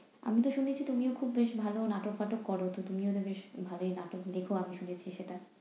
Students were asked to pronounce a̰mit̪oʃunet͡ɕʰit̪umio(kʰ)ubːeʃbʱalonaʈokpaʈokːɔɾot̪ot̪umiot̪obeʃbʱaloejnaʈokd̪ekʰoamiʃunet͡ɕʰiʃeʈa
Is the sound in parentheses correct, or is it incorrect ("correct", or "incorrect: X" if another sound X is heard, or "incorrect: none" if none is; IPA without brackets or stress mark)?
correct